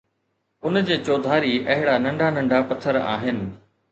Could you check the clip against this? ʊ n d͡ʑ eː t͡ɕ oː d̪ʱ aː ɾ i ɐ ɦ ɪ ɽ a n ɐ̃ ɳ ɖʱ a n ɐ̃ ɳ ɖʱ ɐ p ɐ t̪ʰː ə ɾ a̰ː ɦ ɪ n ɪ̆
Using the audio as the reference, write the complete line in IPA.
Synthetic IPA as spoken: ʊ n d͡ʑ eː t͡ɕ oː d̪ʱ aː ɾ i ɐ ɦ ɪ ɽ a n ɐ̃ ɳ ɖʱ a n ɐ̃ ɳ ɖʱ a p ɐ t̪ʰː ə ɾ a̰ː ɦ ɪ n ɪ̆